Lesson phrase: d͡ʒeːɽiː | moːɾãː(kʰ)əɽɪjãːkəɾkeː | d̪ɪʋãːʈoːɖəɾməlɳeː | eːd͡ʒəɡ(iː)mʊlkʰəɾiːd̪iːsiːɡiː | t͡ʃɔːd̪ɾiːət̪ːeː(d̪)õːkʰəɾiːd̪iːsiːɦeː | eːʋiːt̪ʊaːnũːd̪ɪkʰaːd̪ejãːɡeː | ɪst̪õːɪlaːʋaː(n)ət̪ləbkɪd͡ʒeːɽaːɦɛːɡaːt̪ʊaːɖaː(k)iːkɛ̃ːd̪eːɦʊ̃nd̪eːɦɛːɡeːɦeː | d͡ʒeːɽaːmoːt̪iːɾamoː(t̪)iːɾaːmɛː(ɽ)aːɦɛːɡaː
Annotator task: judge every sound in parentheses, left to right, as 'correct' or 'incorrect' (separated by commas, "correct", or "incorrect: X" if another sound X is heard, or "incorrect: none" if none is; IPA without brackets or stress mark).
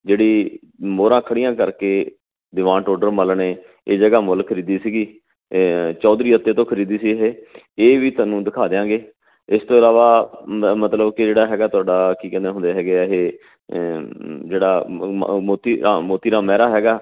correct, incorrect: aː, incorrect: t̪, incorrect: m, correct, correct, incorrect: ɾ